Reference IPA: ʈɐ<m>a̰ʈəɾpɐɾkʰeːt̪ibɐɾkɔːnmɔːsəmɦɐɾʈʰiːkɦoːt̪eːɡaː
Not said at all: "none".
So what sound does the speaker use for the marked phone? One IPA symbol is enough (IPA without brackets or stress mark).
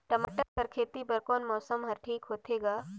m